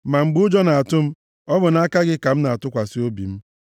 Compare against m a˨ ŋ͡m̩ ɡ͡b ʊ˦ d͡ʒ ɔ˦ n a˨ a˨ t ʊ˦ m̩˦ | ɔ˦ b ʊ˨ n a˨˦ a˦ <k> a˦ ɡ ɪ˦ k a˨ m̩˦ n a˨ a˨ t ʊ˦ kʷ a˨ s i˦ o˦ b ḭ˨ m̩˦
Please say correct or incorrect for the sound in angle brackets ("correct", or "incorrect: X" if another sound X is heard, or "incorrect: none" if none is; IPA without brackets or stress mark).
correct